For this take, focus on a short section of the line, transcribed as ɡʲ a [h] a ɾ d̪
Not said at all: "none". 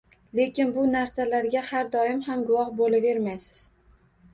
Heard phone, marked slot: h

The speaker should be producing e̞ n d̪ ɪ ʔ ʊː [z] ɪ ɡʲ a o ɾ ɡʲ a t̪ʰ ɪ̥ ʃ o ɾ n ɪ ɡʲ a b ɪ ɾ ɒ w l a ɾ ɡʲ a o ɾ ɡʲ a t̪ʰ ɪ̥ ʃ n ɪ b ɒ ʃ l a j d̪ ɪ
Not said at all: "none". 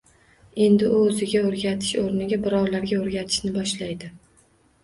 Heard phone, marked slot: z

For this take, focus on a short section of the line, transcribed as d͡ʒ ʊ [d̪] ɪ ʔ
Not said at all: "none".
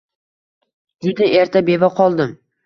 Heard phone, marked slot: d̪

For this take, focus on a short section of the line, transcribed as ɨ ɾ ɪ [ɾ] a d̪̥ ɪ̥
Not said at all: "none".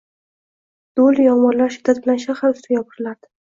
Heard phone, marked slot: l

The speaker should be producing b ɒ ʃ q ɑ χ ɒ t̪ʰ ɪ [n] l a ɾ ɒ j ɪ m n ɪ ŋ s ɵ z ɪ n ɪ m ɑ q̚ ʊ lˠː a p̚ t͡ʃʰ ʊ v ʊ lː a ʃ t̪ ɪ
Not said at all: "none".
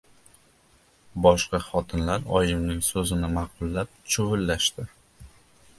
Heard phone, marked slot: n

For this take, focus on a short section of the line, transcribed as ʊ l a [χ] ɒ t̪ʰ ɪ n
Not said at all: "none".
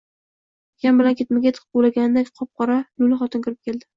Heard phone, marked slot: χ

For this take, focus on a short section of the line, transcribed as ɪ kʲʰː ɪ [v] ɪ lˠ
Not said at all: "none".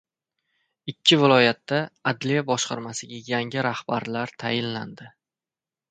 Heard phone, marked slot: v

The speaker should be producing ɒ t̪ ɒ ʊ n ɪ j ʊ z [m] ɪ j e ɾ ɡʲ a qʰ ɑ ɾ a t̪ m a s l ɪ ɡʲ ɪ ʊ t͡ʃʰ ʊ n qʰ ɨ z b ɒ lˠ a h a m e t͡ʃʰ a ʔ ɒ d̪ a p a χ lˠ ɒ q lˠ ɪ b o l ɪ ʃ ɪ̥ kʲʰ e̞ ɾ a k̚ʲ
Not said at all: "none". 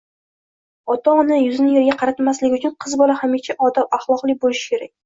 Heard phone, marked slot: n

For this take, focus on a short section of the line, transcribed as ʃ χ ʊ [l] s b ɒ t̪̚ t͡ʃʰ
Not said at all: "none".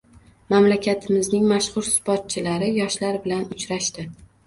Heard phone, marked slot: ɾ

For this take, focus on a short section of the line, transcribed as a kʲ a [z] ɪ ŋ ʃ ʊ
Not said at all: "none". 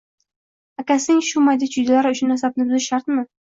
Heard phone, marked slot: s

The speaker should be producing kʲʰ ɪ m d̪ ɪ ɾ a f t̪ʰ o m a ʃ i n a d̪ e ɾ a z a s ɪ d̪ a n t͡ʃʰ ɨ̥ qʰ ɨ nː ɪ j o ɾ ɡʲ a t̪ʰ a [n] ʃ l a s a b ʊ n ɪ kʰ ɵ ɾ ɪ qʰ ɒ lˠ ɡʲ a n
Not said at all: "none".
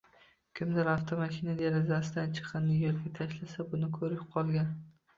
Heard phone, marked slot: none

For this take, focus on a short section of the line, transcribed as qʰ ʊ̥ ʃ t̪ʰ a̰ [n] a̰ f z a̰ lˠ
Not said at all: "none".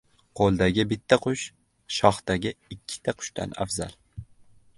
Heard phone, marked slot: n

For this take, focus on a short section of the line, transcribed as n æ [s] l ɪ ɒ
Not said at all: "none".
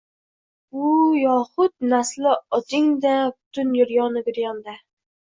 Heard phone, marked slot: s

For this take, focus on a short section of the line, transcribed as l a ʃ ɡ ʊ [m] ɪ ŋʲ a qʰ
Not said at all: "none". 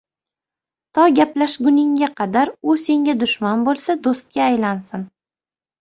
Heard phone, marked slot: n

